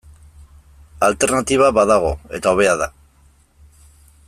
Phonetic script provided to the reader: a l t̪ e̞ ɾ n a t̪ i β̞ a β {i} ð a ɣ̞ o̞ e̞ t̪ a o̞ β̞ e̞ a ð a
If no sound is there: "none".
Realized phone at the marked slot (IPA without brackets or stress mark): a